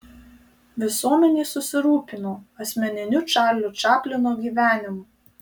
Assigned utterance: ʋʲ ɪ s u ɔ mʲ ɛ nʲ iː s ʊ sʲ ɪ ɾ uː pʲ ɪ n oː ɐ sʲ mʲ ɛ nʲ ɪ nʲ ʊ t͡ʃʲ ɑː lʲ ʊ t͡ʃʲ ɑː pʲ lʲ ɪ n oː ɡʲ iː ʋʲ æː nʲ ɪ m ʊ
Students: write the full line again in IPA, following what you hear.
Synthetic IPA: ʋʲ ɪ s u ɔ mʲ ɛ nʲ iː s ʊ sʲ ɪ ɾ uː pʲ ɪ n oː ɐ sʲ mʲ ɛ nʲ ɪ nʲ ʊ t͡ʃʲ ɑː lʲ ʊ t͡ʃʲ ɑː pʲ lʲ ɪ n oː ɡʲ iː ʋʲ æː nʲ ɪ m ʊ